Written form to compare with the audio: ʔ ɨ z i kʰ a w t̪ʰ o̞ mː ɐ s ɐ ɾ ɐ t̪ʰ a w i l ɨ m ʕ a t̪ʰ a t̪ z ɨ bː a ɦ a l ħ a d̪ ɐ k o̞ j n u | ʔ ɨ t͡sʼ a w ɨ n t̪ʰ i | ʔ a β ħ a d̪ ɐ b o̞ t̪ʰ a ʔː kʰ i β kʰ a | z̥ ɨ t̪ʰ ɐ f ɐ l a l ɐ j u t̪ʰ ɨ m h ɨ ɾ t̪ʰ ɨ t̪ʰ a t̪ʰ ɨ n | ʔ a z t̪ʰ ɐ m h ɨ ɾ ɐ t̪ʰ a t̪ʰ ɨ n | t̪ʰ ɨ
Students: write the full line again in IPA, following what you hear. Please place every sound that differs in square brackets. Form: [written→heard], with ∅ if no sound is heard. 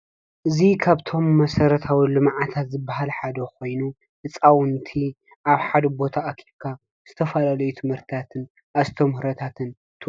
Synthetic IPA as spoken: ʔ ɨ z i kʰ a [w→β] t̪ʰ o̞ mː ɐ s ɐ ɾ ɐ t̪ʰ a w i l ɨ m ʕ a t̪ʰ a t̪ z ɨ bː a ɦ a l ħ a d̪ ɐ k o̞ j n u | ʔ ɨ t͡sʼ a w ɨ n t̪ʰ i | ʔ a β ħ a d̪ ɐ b o̞ t̪ʰ a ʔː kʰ i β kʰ a | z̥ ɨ t̪ʰ ɐ f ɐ l a l ɐ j u t̪ʰ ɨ m h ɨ ɾ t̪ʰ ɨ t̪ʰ a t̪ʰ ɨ n | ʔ a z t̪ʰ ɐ m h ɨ ɾ ɐ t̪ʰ a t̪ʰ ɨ n | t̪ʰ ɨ